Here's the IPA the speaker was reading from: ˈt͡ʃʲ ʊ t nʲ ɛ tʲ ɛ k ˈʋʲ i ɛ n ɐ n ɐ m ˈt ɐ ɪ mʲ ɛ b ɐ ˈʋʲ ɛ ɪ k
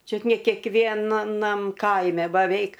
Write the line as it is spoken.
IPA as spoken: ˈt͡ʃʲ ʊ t nʲ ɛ kʲ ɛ k ˈʋʲ i ɛ n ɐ n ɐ m ˈk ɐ ɪ mʲ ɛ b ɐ ˈʋʲ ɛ ɪ k